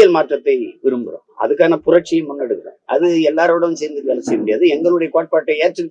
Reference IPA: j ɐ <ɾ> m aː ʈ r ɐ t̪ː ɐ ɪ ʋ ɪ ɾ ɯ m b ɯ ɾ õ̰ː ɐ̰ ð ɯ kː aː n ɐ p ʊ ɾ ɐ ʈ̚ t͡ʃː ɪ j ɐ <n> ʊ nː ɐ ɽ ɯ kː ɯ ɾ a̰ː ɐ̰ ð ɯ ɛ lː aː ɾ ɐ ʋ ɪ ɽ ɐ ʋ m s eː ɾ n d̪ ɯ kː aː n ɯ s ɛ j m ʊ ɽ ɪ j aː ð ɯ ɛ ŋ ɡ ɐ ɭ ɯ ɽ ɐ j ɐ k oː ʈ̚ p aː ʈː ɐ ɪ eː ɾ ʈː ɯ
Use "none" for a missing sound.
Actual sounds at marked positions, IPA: l, m

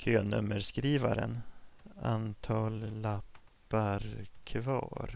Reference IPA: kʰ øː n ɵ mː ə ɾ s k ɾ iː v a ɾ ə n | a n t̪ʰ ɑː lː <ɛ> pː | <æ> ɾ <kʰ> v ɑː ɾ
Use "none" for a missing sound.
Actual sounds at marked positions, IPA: a, a, kʰ

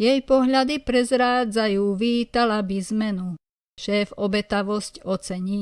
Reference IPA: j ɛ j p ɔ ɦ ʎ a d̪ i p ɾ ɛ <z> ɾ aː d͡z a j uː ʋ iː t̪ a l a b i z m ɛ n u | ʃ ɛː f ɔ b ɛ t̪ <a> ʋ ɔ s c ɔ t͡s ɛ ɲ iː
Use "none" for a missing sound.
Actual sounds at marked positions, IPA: z, a

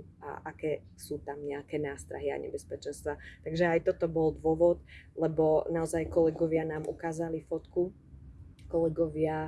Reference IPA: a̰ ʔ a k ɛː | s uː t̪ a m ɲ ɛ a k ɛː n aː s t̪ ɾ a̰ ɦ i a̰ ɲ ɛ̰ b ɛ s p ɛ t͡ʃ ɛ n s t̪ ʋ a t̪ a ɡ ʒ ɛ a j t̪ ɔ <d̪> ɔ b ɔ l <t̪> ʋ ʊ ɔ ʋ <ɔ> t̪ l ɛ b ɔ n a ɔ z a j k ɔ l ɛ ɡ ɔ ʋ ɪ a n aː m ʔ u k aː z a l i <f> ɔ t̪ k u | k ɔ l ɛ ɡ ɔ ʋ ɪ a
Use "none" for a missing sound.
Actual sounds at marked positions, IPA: t̪, d̪, ɔ, f

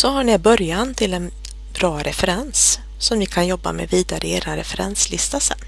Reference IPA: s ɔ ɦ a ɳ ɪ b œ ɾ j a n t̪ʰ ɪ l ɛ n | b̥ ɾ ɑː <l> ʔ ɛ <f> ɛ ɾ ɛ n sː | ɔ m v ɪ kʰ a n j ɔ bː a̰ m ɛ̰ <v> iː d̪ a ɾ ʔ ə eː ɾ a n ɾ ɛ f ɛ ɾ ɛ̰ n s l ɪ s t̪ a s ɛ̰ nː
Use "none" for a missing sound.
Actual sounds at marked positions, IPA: ɾ, f, v

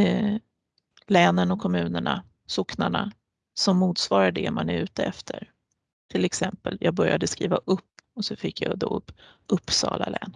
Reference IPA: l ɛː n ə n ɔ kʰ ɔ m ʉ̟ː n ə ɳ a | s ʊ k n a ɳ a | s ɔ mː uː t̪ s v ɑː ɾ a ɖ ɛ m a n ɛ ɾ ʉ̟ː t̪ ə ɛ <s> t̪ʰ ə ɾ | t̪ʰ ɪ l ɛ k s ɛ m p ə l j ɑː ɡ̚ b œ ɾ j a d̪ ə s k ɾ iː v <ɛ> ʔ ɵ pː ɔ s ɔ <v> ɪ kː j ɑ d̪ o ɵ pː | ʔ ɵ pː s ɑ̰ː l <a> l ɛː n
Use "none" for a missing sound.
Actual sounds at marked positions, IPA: f, a, f, a

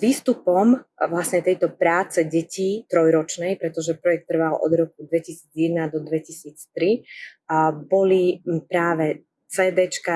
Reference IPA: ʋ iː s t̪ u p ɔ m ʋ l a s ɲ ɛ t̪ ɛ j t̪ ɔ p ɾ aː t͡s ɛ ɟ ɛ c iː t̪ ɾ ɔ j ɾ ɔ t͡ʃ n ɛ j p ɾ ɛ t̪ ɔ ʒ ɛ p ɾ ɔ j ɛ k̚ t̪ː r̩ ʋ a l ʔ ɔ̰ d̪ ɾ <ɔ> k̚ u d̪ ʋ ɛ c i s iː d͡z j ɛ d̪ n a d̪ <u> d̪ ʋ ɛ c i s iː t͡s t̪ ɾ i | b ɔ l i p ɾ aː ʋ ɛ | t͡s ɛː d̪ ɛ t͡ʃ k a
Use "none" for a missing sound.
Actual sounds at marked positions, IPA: ɔ, ɔ

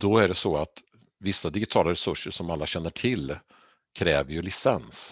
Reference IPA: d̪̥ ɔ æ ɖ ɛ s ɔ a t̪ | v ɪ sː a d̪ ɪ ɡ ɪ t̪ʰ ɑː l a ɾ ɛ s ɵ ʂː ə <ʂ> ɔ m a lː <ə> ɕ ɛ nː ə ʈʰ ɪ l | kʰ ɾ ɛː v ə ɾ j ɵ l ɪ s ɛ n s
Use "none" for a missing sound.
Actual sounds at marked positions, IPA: ʂ, a

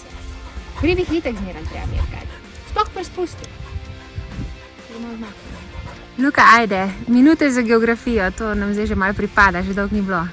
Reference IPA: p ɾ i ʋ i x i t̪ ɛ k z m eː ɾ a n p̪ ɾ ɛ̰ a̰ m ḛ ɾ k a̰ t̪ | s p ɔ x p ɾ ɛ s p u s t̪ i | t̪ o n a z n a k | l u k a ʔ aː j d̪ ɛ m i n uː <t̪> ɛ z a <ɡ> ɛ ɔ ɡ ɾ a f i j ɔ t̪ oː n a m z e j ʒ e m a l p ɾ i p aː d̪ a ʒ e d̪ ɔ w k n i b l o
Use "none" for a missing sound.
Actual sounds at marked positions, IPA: t̪, ɡ

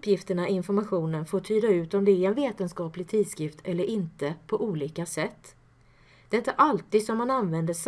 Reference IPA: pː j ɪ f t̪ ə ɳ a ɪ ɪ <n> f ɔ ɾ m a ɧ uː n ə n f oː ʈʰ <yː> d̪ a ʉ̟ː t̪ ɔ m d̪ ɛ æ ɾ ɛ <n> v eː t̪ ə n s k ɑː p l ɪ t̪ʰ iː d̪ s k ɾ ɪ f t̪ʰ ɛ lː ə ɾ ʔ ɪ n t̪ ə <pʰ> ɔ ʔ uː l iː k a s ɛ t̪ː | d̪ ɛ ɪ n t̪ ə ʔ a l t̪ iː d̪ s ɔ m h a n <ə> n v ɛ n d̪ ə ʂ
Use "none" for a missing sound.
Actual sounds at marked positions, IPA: n, yː, n, pʰ, a

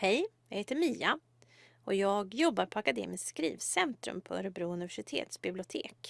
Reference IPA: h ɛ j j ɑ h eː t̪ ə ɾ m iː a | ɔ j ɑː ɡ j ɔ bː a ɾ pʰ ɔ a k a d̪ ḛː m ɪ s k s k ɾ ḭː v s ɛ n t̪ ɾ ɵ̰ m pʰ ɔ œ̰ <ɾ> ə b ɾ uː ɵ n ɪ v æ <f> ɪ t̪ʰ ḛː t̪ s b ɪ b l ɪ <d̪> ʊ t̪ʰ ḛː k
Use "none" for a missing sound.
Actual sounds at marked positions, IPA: ɾ, ʂ, none

